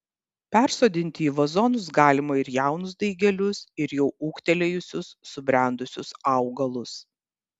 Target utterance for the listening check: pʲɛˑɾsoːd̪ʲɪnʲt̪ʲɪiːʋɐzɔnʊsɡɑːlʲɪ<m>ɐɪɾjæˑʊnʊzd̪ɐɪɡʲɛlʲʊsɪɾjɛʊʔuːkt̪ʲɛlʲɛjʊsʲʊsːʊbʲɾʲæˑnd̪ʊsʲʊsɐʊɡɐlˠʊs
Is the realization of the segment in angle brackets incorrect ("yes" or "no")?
no